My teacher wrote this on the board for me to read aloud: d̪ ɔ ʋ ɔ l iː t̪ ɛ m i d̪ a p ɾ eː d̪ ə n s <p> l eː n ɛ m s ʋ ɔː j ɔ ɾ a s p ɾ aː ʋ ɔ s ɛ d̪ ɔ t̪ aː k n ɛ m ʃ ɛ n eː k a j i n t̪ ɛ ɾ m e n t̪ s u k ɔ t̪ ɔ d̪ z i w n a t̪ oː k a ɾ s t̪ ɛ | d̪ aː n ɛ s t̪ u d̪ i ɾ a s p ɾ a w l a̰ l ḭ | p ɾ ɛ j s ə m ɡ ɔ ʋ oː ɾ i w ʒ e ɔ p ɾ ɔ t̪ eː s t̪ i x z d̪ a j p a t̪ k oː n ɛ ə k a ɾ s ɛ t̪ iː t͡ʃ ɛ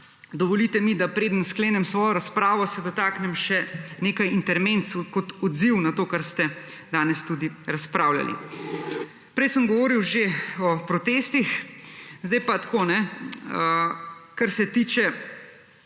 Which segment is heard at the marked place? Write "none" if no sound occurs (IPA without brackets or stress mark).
k